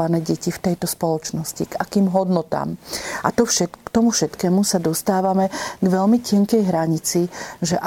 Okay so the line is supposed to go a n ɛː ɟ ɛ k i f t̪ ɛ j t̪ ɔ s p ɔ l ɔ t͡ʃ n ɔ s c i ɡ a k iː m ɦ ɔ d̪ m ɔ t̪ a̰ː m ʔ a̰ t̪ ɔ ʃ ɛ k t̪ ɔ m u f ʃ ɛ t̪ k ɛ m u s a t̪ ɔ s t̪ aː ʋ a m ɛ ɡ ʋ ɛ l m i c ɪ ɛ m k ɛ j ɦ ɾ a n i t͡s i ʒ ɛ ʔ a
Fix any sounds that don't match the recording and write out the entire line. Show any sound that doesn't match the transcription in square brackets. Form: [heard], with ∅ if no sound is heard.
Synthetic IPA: a n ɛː ɟ ɛ [c] i f t̪ ɛ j t̪ ɔ s p ɔ l ɔ t͡ʃ n ɔ s c i ɡ a k iː m ɦ ɔ d̪ [n] ɔ t̪ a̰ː m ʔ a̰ t̪ ɔ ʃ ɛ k t̪ ɔ m u f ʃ ɛ t̪ k [ɛː] m u s a [d̪] ɔ s t̪ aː ʋ a m ɛ ɡ ʋ ɛ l m i c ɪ ɛ [ŋ] k ɛ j ɦ ɾ a [ɲ] i t͡s i ʒ ɛ ʔ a